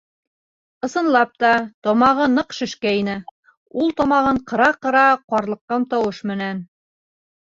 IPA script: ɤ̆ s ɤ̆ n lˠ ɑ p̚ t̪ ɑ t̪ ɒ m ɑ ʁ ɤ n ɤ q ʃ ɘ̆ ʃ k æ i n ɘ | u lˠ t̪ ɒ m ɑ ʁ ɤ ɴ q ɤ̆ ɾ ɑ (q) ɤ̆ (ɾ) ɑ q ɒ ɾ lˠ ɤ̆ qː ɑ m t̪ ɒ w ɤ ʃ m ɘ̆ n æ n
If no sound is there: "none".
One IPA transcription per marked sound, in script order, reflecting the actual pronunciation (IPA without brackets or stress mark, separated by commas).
q, ɾ